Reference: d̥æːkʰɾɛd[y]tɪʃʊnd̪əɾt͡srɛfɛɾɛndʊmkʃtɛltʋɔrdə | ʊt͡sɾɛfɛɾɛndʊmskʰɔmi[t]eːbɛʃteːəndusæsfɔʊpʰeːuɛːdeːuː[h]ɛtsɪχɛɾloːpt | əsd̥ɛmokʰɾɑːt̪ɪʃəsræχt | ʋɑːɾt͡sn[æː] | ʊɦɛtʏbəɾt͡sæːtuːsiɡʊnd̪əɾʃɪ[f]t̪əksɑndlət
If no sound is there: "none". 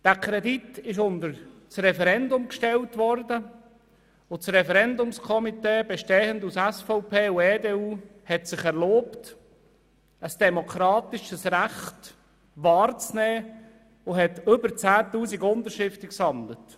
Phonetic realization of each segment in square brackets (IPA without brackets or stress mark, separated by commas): i, t, h, ɛː, f